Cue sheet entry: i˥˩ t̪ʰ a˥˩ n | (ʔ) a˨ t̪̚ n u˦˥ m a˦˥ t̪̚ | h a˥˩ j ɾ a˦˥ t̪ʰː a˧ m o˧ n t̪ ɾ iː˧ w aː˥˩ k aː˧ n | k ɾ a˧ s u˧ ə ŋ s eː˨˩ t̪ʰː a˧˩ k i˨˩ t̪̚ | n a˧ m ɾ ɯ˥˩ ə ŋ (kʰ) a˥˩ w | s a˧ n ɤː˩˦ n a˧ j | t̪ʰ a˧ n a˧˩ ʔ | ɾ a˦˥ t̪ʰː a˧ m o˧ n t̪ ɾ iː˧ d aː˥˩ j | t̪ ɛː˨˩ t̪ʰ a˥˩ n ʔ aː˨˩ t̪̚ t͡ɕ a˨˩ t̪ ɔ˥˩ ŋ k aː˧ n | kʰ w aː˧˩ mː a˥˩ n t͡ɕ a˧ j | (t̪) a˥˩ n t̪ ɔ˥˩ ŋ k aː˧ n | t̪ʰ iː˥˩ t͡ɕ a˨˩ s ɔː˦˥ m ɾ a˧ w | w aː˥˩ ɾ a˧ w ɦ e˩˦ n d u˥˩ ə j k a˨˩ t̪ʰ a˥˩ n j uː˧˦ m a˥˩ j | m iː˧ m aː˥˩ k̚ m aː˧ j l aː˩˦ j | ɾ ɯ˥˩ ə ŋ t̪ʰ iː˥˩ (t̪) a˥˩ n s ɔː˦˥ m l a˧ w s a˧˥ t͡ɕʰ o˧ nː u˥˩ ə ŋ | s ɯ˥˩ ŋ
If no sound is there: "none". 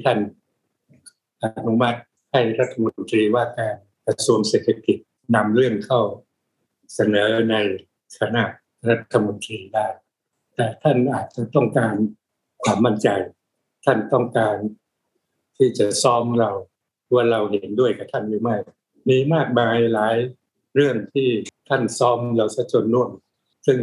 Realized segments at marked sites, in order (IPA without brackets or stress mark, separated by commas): ʔ, kʰ, t̪ʰ, t̪ʰ